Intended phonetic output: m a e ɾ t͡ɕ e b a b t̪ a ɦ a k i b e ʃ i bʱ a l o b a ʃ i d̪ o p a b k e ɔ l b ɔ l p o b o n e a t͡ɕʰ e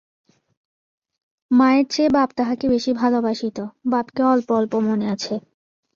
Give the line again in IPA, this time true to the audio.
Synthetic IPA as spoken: m a e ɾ t͡ɕ e b a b t̪ a ɦ a k e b e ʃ i bʱ a l o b a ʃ i t̪ o b a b k e ɔ l p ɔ l p o m o n e a t͡ɕʰ e